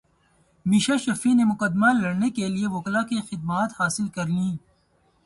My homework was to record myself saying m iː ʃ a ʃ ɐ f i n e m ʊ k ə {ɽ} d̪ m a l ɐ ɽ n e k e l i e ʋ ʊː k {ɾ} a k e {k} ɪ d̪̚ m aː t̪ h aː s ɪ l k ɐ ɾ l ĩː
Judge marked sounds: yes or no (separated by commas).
no, no, no